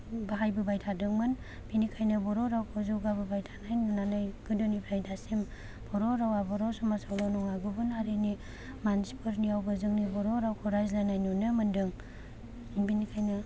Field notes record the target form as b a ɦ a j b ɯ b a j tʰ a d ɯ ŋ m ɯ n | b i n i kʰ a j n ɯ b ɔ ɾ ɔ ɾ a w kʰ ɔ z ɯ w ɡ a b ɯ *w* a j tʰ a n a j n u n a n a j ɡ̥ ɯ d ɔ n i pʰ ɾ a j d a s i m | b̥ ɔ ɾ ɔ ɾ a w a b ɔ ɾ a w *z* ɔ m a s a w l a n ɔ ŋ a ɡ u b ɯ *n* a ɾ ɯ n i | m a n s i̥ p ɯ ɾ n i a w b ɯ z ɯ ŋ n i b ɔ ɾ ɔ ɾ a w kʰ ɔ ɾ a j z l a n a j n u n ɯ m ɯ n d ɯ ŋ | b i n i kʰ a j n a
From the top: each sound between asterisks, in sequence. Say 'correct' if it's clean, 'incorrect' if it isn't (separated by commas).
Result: incorrect, incorrect, correct